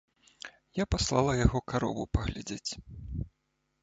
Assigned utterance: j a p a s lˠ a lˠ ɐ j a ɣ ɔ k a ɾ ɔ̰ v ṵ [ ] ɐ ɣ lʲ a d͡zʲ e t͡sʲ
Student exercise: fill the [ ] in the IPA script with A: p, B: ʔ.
A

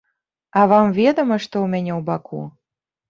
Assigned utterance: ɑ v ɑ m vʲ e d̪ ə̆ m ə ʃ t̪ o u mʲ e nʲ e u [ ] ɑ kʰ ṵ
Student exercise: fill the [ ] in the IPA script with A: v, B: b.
B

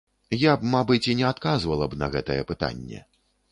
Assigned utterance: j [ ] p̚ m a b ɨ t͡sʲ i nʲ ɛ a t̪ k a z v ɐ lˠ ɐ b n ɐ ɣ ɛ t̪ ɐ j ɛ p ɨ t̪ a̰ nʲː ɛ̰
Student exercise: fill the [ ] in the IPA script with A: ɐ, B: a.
B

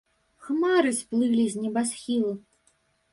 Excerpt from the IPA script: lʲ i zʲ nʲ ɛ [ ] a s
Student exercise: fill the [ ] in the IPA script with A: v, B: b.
B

